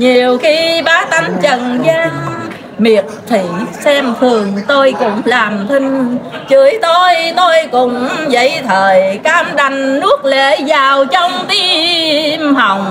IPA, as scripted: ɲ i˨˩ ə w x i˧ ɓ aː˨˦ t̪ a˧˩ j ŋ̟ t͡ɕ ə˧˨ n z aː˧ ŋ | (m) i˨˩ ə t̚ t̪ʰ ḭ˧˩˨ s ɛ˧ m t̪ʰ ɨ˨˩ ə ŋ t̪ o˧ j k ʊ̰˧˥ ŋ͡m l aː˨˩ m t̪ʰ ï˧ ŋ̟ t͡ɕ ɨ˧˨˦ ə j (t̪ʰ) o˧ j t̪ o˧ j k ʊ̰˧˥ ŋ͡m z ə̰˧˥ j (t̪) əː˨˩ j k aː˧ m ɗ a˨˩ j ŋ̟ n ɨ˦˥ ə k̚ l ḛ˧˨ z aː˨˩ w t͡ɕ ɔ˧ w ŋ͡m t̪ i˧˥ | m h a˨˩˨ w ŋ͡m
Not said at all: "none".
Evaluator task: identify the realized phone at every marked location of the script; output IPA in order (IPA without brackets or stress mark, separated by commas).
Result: m, t̪, t̪ʰ